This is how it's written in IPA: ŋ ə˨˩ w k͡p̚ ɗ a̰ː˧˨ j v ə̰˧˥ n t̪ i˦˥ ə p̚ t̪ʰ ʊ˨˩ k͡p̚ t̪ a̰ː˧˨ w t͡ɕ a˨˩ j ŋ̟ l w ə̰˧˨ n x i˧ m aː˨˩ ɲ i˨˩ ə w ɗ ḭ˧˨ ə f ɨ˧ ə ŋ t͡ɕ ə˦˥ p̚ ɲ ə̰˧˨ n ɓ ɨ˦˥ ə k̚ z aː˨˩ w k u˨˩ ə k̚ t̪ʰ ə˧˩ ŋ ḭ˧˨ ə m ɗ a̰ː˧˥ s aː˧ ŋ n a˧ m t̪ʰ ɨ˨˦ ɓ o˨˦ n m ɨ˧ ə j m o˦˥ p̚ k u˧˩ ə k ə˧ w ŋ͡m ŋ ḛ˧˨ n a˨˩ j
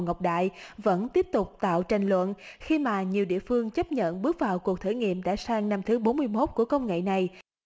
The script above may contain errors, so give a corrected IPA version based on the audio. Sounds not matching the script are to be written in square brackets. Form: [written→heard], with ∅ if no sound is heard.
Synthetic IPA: ŋ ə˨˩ w k͡p̚ ɗ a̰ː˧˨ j v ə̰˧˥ n t̪ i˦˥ ə p̚ [t̪ʰ→t̪] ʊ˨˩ k͡p̚ t̪ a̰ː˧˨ w t͡ɕ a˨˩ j ŋ̟ l w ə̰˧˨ n x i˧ m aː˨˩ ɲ i˨˩ ə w ɗ ḭ˧˨ ə f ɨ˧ ə ŋ t͡ɕ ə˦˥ p̚ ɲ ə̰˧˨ n ɓ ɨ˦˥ ə k̚ [z→v] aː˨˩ w k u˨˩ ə k̚ t̪ʰ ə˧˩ ŋ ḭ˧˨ ə m ɗ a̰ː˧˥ s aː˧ ŋ n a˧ m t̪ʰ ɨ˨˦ ɓ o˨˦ n m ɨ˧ ə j m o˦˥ [p̚→t̚] k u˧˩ ə k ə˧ w ŋ͡m ŋ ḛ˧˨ n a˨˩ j